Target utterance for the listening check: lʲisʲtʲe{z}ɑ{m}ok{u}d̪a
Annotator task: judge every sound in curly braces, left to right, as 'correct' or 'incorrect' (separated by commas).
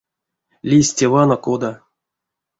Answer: incorrect, incorrect, incorrect